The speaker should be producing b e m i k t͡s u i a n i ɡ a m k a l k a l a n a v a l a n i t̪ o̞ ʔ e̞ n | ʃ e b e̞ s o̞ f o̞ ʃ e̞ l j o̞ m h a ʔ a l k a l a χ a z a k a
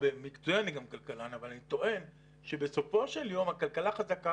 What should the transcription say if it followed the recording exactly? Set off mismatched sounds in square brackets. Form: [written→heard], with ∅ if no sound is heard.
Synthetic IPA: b e m i k t͡s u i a n i ɡ a m k a l k a l a n a v a l a n i t̪ o̞ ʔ e̞ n | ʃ e b e̞ s o̞ f o̞ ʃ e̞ l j o̞ m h a [ʔ→k] a l k a l a χ a z a k a